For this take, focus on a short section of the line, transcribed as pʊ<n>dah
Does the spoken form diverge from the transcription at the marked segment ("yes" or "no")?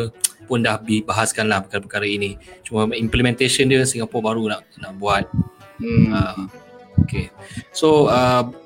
no